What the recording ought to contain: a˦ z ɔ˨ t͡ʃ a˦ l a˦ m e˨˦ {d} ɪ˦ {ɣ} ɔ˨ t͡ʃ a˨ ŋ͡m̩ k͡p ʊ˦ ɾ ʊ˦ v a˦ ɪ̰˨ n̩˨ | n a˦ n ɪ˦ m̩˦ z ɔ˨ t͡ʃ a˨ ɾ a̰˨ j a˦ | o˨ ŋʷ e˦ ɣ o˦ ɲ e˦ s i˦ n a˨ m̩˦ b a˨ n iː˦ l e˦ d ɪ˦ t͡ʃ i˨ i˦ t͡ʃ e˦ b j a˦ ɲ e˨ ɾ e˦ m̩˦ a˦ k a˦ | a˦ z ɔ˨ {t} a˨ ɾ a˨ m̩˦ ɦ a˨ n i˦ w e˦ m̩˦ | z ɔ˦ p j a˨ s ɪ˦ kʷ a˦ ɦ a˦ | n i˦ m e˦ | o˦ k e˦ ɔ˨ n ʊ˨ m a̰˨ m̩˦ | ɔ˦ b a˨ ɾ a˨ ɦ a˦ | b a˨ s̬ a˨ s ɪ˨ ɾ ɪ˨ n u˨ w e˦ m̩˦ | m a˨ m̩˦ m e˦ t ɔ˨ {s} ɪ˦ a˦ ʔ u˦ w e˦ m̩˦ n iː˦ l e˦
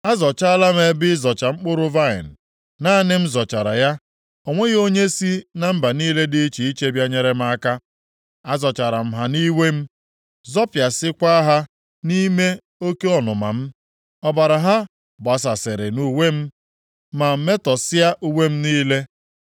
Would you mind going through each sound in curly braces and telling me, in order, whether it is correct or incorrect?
incorrect: b, incorrect: z, incorrect: t͡ʃ, correct

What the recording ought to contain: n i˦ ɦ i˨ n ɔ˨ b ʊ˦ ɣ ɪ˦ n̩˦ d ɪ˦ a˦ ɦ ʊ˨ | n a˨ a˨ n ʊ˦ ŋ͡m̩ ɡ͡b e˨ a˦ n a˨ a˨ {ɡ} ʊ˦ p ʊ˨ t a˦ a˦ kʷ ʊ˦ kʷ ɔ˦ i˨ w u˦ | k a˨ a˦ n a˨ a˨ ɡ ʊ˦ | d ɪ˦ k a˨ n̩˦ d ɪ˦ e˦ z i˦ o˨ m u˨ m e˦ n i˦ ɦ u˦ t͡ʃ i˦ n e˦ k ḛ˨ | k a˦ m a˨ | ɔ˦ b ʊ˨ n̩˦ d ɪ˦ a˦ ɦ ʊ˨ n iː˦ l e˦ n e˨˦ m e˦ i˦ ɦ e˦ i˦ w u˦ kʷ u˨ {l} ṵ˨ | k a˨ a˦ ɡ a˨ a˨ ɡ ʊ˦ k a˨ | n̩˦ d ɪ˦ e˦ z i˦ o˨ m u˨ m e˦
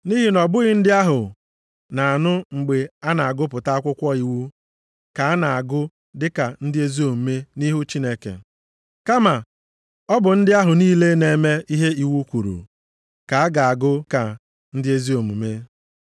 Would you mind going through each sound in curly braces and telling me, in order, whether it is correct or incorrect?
correct, incorrect: ɾ

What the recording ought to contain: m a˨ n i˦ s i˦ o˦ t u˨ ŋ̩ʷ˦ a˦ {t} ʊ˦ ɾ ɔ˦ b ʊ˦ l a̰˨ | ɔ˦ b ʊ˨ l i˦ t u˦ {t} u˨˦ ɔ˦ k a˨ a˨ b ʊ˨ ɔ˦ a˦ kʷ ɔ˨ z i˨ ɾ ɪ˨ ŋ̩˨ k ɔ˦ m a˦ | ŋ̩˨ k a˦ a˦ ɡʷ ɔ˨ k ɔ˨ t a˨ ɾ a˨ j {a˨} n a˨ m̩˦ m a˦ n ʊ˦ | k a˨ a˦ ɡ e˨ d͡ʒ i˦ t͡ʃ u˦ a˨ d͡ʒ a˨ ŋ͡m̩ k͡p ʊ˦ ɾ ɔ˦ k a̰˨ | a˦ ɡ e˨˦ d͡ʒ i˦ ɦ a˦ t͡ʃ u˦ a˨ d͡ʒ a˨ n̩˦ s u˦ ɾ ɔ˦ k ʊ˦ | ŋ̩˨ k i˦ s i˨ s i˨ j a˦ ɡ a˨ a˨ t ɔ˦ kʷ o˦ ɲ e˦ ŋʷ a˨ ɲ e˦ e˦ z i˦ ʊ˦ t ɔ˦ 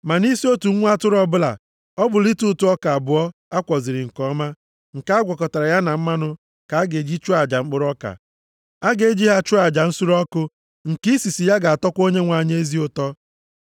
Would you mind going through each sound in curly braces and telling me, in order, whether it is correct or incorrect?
correct, correct, incorrect: a˦

